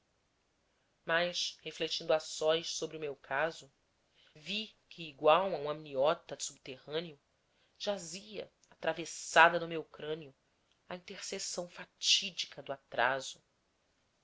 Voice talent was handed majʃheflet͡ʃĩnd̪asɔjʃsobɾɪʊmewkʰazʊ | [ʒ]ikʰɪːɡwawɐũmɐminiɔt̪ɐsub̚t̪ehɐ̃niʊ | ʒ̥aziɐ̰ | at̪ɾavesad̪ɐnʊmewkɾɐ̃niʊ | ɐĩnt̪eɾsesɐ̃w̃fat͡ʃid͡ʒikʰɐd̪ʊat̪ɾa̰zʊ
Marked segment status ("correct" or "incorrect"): incorrect